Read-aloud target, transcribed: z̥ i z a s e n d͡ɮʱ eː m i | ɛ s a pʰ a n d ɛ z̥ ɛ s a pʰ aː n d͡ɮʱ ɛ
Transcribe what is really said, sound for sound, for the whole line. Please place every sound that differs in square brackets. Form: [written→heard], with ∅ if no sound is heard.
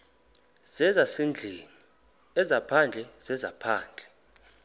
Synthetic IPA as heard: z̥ [i→ɛ] z a s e n d͡ɮʱ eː [m→n] i | ɛ [s→z] a pʰ a n [d→d͡ɮʱ] ɛ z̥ ɛ [s→z] a pʰ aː n d͡ɮʱ ɛ